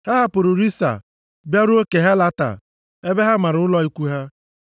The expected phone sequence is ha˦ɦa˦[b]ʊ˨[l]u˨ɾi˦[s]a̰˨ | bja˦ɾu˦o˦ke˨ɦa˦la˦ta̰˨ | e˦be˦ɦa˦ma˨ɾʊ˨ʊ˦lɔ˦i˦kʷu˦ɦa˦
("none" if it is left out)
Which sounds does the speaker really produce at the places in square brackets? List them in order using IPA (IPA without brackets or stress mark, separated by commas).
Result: p, ɾ, s